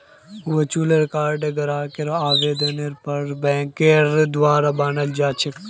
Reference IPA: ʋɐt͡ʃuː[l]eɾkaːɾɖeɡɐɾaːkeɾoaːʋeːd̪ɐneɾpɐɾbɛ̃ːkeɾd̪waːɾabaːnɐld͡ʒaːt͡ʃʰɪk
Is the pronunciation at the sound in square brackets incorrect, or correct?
correct